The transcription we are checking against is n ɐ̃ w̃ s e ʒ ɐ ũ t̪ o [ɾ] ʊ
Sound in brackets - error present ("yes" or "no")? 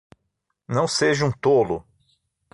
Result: yes